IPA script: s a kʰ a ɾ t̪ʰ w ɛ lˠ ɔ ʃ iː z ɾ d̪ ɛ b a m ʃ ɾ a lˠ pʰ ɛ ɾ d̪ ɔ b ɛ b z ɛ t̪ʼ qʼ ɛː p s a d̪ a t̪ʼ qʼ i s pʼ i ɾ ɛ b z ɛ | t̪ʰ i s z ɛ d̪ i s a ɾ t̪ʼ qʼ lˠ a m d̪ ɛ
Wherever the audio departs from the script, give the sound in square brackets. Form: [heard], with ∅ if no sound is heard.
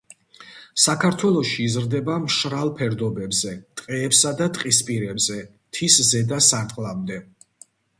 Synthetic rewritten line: s a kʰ a ɾ t̪ʰ w ɛ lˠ ɔ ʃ iː z ɾ d̪ ɛ b a m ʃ ɾ a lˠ pʰ ɛ ɾ d̪ ɔ b ɛ b z ɛ t̪ʼ qʼ ɛː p s a d̪ a t̪ʼ qʼ i s pʼ i ɾ ɛ b z ɛ | t̪ʰ i s z ɛ d̪ [a] s a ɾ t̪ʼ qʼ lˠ a m d̪ ɛ